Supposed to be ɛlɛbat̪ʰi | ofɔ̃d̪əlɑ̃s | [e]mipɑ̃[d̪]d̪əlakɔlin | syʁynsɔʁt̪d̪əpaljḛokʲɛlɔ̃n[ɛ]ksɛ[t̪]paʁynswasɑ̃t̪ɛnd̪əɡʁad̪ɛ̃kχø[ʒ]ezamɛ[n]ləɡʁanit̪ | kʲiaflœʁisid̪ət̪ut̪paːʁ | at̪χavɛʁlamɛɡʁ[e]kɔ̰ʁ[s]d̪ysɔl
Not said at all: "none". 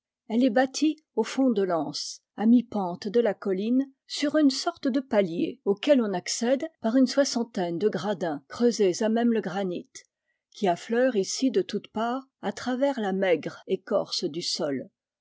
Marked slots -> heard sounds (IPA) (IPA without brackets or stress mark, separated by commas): a, t̪, a, d̪, z, m, e, s